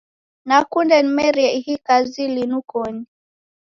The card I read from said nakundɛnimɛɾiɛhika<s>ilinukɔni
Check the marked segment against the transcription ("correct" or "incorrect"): incorrect